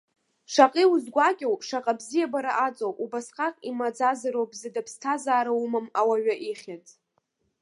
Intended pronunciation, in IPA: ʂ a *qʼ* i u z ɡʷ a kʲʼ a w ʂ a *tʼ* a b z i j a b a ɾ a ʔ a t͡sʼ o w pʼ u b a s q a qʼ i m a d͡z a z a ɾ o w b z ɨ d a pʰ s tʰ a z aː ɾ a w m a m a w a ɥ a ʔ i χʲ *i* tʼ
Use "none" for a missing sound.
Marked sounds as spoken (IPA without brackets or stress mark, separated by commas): qʼ, qʼ, a